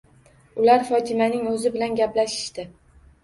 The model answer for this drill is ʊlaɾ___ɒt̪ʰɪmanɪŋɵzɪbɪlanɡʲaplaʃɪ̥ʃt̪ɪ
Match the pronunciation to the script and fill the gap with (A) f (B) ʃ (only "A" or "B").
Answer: A